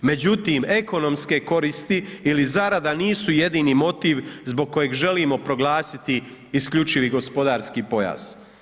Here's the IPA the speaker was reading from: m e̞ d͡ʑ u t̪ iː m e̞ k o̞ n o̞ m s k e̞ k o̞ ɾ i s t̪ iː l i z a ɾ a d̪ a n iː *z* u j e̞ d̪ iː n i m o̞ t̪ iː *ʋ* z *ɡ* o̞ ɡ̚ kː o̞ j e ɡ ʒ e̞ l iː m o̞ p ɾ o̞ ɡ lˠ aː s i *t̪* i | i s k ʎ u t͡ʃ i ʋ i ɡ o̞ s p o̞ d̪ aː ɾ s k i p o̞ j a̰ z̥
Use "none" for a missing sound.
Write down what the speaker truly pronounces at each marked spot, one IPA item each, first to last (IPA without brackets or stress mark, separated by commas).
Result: s, ʋ, b, t̪